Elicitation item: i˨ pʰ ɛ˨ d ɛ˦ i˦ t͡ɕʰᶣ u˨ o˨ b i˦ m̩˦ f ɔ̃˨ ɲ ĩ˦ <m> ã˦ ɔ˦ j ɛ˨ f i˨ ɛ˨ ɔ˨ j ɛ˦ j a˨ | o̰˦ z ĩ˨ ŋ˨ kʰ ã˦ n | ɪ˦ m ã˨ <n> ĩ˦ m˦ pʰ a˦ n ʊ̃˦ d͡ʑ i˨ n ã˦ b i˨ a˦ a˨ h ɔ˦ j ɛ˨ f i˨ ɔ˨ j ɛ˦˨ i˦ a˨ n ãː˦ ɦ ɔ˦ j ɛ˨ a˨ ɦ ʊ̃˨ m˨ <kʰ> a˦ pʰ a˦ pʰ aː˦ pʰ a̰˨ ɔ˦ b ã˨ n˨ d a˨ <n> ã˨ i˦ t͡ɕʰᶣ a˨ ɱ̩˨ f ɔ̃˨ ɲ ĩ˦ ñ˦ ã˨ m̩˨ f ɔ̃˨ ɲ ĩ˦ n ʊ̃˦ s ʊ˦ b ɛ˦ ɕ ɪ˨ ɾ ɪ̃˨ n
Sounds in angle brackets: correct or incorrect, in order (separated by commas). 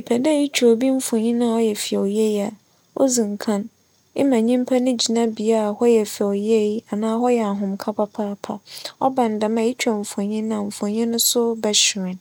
incorrect, incorrect, correct, incorrect